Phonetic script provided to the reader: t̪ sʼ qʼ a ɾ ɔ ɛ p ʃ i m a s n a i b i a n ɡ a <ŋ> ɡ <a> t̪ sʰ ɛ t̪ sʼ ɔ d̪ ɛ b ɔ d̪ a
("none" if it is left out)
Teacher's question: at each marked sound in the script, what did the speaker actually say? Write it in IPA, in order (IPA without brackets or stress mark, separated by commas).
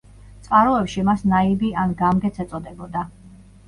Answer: m, ɛ